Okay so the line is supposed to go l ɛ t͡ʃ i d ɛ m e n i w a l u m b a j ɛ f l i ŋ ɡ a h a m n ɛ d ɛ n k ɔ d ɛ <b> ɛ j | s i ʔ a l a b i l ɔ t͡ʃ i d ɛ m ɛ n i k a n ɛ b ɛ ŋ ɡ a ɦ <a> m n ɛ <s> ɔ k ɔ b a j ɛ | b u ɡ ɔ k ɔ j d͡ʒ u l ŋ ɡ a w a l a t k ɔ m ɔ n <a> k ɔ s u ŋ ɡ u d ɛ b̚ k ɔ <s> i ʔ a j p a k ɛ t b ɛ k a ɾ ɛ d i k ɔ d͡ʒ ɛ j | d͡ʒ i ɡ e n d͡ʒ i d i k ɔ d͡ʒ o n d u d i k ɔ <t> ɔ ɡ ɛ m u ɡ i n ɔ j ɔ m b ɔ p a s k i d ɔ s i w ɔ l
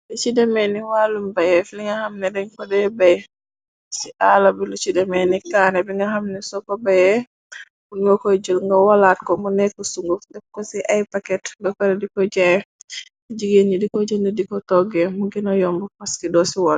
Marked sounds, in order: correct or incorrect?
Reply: correct, correct, correct, incorrect, correct, correct

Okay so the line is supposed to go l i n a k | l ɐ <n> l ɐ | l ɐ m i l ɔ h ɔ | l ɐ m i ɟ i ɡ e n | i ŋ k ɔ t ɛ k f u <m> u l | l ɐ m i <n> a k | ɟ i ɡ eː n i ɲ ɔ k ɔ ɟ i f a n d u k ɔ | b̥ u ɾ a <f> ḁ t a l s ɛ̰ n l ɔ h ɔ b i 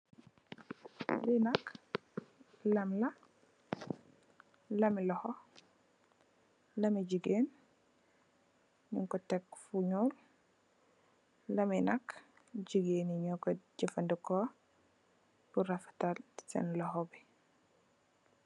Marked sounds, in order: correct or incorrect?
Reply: incorrect, incorrect, correct, correct

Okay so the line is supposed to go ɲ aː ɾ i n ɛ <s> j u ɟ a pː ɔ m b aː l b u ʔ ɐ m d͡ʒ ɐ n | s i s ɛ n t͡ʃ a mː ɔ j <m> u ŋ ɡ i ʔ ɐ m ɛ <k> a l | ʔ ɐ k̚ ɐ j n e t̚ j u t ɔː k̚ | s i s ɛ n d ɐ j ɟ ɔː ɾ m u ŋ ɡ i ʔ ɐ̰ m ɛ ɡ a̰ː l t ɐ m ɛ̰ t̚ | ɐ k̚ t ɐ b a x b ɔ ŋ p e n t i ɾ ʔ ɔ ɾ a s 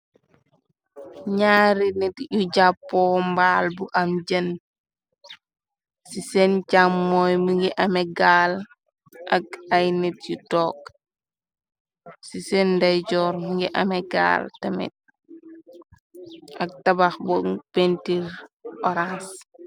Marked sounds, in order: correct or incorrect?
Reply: incorrect, correct, incorrect

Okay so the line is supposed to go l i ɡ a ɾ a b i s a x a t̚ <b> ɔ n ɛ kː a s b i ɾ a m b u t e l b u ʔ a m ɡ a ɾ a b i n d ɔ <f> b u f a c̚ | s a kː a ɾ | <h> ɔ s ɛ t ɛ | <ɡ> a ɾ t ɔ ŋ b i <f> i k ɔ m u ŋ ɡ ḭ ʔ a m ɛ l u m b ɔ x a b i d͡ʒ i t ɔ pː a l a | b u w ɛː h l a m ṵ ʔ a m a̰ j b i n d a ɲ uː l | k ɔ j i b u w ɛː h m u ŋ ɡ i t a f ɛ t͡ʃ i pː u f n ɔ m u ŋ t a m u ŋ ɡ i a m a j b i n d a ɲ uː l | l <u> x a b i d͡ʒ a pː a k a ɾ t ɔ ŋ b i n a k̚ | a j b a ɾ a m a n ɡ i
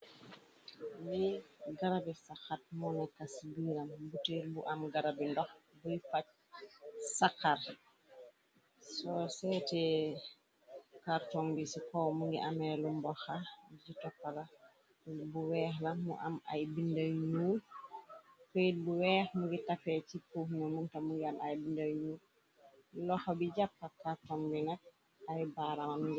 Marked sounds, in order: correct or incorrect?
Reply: incorrect, incorrect, incorrect, incorrect, incorrect, incorrect

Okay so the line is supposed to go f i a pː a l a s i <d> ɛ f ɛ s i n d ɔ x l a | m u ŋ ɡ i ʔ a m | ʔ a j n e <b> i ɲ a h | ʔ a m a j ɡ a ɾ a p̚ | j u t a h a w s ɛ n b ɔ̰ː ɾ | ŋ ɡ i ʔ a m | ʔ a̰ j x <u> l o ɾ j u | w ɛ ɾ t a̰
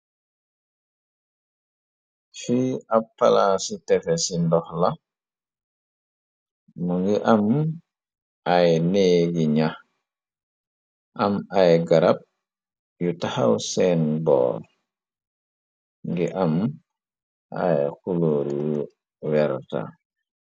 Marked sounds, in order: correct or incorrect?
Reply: incorrect, incorrect, correct

